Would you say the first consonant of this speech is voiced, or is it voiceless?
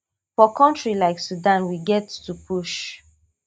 voiceless